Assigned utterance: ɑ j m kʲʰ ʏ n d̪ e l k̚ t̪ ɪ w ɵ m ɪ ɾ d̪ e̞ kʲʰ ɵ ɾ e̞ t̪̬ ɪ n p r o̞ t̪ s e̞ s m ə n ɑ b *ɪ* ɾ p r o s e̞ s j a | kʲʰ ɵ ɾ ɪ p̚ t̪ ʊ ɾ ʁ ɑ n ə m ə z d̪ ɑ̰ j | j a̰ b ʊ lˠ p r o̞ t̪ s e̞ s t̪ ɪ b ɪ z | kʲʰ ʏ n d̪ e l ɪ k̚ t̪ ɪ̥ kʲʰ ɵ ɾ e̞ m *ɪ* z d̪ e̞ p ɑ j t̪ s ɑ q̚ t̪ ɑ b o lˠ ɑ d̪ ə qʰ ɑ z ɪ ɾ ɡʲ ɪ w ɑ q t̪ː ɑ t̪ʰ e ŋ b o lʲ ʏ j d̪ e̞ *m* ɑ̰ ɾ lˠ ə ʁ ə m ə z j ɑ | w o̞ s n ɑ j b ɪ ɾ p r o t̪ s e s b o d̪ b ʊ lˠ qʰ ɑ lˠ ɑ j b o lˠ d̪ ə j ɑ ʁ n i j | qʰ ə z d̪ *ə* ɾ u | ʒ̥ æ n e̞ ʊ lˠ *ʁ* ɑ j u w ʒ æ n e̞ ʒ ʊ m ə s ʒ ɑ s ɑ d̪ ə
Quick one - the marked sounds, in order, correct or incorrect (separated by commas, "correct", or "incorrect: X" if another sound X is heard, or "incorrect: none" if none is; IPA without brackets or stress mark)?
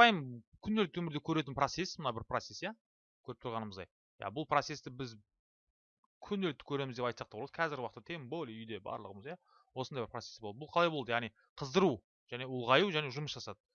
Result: correct, correct, incorrect: b, correct, correct